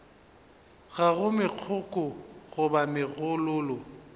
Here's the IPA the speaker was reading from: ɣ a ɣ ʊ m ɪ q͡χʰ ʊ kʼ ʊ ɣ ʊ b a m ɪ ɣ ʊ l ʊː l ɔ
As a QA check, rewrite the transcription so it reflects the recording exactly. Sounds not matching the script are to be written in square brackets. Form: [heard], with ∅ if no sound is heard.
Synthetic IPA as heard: ɣ a ɣ ʊ m ɪ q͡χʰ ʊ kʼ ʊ ɣ ʊ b a m ɪ ɣ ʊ l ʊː l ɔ